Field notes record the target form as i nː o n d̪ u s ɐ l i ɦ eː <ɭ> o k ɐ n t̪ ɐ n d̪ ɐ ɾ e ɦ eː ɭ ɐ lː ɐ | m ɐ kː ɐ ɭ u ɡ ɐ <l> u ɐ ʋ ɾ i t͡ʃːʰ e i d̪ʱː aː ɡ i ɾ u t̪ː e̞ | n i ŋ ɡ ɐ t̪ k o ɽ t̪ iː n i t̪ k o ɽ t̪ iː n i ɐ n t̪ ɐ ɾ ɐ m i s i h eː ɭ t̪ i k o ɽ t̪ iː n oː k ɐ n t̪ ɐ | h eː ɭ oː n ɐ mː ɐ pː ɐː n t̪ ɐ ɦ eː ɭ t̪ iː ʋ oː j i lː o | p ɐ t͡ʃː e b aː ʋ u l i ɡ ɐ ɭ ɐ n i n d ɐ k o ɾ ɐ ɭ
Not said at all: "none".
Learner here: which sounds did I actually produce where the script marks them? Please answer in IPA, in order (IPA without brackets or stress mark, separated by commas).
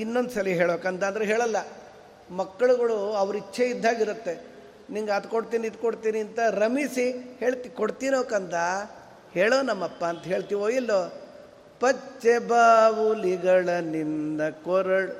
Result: ɭ, ɭ